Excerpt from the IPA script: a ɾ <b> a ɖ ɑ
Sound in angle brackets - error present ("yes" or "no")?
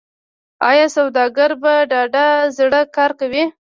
no